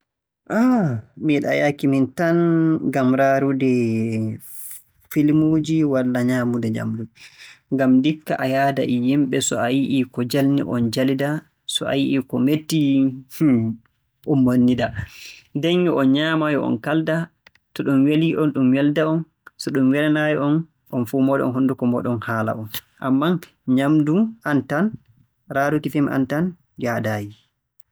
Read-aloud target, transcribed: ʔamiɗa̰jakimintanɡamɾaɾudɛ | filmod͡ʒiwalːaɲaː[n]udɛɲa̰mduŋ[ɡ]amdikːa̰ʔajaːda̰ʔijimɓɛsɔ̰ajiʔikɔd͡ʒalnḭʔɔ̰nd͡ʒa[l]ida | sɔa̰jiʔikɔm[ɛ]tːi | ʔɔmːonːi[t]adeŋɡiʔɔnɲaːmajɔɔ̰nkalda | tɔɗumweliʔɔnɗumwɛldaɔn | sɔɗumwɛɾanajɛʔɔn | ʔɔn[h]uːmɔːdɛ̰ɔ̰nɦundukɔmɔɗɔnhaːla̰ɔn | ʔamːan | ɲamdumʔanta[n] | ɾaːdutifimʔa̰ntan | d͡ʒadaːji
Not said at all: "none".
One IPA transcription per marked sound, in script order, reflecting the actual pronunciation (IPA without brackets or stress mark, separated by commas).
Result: m, ɡ, l, e, d, f, n